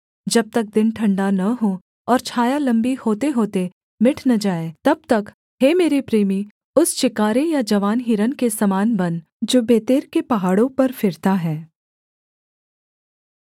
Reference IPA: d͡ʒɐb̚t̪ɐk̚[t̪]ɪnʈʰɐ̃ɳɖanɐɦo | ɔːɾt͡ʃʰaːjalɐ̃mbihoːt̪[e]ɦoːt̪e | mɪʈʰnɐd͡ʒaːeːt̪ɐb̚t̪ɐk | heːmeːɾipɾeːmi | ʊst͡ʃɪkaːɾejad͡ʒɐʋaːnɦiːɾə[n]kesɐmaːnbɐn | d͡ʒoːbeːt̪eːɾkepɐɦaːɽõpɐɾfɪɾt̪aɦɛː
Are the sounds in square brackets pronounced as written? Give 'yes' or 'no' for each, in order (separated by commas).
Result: no, yes, yes